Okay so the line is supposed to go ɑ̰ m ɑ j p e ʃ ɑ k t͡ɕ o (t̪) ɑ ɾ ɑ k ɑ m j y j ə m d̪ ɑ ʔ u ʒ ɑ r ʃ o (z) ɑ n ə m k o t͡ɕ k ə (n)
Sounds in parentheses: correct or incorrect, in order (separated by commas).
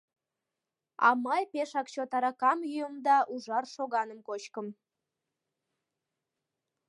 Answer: correct, incorrect, incorrect